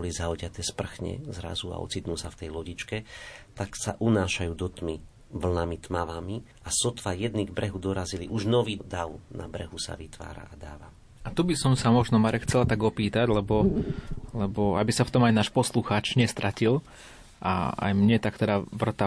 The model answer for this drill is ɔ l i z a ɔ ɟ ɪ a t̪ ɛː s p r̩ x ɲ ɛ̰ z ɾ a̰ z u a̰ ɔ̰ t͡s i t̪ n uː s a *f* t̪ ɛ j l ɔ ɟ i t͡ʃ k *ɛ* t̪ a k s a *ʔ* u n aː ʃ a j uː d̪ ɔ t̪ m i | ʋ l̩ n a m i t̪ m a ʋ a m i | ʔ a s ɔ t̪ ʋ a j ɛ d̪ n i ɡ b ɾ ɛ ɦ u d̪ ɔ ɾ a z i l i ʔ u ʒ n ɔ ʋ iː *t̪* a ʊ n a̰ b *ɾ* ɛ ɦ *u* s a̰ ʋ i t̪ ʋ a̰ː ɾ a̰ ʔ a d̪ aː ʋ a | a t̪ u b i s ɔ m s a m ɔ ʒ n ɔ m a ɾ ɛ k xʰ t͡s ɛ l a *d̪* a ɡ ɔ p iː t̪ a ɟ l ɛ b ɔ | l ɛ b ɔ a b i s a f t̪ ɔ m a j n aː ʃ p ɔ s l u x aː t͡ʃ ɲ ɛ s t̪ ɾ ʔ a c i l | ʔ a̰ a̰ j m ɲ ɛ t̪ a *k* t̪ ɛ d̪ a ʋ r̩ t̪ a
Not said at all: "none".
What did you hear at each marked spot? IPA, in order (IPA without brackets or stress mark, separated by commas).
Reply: f, ɛ, ʔ, d̪, ɾ, u, t̪, k